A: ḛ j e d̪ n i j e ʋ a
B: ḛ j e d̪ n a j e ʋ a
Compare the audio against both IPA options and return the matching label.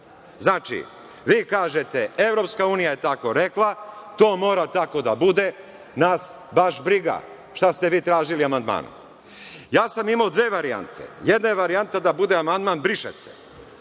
B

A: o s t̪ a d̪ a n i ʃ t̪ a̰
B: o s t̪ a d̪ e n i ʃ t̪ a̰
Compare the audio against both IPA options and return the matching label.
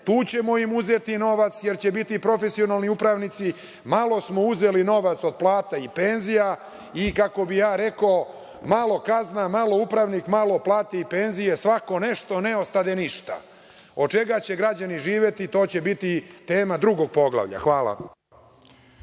B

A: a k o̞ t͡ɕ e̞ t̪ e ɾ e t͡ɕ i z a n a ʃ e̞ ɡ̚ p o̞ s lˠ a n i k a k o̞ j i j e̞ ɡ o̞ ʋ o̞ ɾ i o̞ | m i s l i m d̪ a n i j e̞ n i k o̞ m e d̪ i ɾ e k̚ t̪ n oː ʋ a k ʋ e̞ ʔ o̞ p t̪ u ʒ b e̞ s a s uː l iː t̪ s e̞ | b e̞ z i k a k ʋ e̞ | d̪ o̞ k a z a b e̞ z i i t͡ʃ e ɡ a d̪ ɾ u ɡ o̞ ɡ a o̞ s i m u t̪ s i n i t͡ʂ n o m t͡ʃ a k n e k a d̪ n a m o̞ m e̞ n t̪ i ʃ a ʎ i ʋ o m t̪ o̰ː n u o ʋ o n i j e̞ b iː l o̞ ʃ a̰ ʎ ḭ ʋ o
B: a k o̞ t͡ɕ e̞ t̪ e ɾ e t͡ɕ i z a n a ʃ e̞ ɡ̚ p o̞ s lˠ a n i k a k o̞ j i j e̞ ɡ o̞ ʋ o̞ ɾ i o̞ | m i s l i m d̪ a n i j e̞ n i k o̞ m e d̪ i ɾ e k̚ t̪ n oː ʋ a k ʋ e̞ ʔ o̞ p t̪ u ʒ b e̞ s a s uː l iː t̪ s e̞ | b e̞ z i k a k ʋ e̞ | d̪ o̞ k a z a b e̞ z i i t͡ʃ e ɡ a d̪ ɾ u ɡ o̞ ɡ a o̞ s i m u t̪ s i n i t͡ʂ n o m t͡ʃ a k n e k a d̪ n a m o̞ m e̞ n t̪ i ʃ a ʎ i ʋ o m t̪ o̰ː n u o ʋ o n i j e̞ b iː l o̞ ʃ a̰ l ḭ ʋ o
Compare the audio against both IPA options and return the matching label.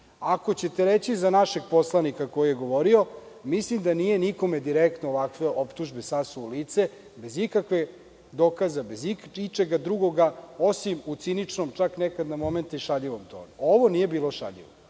A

